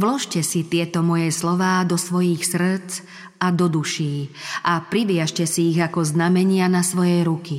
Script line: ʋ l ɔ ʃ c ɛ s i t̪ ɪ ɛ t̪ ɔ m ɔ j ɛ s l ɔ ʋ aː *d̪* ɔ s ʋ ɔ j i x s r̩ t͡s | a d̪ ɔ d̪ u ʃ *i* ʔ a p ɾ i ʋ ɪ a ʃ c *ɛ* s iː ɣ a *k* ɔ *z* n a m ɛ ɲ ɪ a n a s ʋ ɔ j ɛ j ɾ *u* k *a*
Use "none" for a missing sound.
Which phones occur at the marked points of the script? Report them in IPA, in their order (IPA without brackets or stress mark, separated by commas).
d̪, iː, ɛ, k, z, u, i